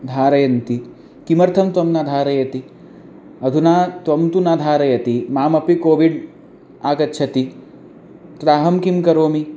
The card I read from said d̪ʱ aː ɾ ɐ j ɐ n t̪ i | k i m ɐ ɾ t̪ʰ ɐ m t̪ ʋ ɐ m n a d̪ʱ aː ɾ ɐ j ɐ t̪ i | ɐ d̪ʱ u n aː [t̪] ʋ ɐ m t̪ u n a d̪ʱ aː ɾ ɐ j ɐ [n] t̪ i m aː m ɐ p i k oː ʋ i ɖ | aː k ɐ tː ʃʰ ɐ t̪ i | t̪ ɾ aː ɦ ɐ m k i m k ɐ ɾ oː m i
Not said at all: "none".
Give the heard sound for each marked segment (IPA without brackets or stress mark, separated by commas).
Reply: t̪, none